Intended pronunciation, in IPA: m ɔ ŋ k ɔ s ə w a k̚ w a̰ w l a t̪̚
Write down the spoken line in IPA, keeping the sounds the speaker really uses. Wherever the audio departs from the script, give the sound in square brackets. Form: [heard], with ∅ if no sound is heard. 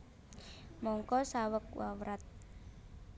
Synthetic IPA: m ɔ ŋ k ɔ s [a] w [ə] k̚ w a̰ w [ɾ] a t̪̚